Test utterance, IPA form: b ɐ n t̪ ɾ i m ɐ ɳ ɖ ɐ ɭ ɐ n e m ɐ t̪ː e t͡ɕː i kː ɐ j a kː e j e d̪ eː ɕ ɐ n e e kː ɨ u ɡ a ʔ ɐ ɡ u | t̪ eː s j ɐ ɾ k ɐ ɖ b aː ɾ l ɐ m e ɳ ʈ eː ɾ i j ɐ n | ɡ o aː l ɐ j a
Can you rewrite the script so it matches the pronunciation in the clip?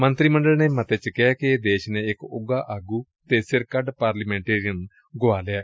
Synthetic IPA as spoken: m ɐ n t̪ ɾ i m ɐ ɳ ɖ ɐ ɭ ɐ n e m ɐ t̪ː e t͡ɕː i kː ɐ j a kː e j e d̪ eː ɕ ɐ n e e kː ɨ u ɡ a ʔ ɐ ɡ u | t̪ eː s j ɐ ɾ k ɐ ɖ p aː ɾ l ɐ m e ɳ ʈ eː ɾ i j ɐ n | ɡ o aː l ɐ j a